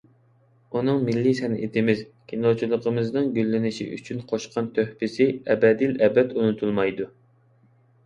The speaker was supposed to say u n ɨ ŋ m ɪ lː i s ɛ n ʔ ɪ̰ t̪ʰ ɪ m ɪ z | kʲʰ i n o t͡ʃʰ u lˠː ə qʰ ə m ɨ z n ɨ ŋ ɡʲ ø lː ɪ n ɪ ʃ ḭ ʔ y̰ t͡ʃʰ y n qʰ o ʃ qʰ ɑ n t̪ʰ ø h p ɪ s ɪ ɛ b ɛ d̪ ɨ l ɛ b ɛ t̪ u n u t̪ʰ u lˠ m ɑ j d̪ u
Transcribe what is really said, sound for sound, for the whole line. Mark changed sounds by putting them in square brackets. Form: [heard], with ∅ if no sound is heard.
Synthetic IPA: u n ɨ ŋ m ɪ lː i s ɛ n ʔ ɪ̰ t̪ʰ ɪ m ɪ z | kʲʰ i n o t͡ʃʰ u [lˠ] ə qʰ ə m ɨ z n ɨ ŋ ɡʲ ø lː ɪ n ɪ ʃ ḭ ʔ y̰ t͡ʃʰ y n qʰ o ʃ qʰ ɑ n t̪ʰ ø h p ɪ s ɪ ɛ b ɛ d̪ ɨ l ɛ b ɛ t̪ u n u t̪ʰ u lˠ m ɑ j d̪ u